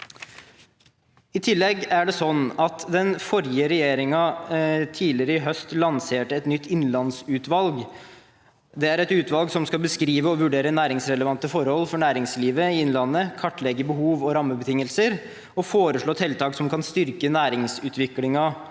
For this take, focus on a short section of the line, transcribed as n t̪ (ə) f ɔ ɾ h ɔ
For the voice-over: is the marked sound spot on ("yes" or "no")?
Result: yes